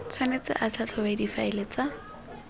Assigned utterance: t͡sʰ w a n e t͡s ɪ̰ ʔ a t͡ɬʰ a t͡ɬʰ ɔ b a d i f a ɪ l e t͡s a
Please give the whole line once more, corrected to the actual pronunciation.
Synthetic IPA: t͡sʰ w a n e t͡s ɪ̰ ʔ a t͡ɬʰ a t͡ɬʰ ɔ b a d i f a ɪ l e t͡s a